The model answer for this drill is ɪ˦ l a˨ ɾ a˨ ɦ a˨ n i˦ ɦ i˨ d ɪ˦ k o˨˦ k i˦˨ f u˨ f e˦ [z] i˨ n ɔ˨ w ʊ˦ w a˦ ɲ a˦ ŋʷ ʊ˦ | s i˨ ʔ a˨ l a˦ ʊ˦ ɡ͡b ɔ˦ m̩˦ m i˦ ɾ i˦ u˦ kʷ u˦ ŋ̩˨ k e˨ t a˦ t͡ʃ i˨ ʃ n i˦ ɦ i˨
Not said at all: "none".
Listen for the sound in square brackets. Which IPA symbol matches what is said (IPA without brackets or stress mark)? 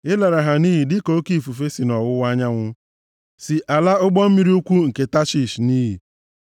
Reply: s